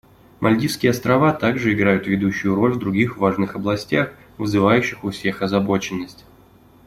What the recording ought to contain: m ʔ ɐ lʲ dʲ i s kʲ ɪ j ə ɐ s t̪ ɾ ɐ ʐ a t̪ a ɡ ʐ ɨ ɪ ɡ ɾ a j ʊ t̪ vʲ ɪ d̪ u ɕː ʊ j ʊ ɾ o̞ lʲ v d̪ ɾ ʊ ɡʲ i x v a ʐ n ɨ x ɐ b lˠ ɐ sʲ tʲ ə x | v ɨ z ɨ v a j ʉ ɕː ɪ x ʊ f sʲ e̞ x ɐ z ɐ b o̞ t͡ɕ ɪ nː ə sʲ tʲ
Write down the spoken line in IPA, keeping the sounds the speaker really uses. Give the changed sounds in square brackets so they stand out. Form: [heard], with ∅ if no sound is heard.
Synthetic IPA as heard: m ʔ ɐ lʲ dʲ i s kʲ ɪ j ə ɐ s t̪ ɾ ɐ [v] a t̪ a ɡ ʐ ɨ ɪ ɡ ɾ a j ʊ t̪ vʲ ɪ d̪ u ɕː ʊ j ʊ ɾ o̞ lʲ v d̪ ɾ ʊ ɡʲ i x v a ʐ n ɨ x ɐ b lˠ ɐ sʲ tʲ [a] x | v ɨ z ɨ v a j ʉ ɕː ɪ x ʊ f sʲ e̞ x ɐ z ɐ b o̞ t͡ɕ ɪ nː ə sʲ tʲ